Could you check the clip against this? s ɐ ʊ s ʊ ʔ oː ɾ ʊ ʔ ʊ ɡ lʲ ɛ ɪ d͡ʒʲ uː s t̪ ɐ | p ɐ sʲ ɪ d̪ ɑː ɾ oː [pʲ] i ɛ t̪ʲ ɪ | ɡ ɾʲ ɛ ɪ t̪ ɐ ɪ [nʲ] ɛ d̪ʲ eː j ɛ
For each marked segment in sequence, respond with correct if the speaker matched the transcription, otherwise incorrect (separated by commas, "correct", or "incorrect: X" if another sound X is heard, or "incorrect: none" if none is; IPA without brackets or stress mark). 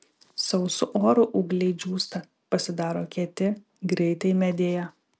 incorrect: kʲ, incorrect: mʲ